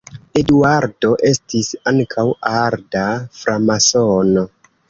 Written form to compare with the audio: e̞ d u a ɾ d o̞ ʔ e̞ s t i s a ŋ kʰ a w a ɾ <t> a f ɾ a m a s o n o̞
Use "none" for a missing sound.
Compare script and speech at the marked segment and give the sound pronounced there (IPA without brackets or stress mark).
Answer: d